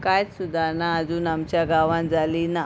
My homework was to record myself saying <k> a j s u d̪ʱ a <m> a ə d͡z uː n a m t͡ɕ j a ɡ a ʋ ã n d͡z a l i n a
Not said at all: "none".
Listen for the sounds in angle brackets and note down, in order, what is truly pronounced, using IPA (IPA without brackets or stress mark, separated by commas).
k, n